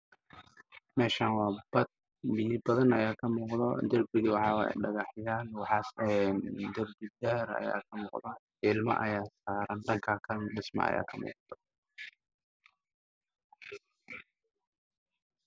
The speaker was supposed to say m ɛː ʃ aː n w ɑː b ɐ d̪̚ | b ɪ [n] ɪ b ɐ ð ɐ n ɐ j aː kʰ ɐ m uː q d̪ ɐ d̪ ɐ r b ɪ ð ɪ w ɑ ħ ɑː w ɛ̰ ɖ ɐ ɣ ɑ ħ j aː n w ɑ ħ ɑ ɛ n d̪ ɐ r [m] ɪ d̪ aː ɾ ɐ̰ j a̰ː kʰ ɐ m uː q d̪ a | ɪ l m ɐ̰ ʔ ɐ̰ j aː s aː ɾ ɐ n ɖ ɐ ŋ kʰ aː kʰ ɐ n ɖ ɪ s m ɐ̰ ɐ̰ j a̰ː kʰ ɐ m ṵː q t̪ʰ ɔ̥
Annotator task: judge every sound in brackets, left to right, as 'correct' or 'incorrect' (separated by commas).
correct, incorrect